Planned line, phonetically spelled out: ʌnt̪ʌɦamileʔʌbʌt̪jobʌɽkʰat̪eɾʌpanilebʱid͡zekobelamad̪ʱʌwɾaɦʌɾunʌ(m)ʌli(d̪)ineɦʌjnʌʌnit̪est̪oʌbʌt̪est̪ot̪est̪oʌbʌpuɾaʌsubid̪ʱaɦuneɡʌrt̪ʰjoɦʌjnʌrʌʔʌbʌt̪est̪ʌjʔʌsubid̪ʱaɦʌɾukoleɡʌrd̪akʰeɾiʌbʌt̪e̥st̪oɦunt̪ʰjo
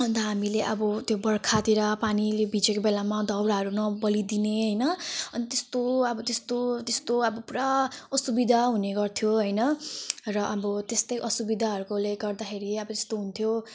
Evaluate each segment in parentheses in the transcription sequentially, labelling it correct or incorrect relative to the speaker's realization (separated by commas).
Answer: incorrect, correct